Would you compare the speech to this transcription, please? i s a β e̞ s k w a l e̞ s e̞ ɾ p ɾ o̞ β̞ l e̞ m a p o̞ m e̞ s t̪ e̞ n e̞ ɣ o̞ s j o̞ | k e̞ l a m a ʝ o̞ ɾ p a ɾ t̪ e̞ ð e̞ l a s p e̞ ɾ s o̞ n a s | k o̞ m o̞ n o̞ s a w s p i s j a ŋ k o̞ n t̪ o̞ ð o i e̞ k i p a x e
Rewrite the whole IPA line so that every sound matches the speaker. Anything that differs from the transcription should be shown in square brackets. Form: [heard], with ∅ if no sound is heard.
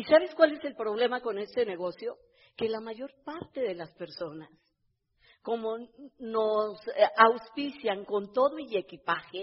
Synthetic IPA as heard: i s a β e̞ s k w a l e̞ s e̞ [l] p ɾ o̞ β̞ l e̞ m a [k] o̞ [n] e̞ s t̪ e̞ n e̞ ɣ o̞ s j o̞ | k e̞ l a m a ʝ o̞ ɾ p a ɾ t̪ e̞ ð e̞ l a s p e̞ ɾ s o̞ n a s | k o̞ m o̞ n o̞ s a w s p i s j a ŋ k o̞ n t̪ o̞ ð o i e̞ k i p a x e